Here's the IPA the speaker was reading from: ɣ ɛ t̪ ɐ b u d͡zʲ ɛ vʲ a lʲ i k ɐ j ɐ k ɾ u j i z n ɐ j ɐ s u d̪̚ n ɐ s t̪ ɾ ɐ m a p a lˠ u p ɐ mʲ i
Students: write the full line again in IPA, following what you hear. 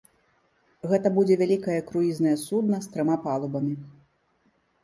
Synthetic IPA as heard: ɣ ɛ t̪ ɐ b u d͡zʲ ɛ vʲ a lʲ i k ɐ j ɐ k ɾ u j i z n ɐ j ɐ s u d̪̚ n ɐ s t̪ ɾ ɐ m a p a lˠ u b ɐ mʲ i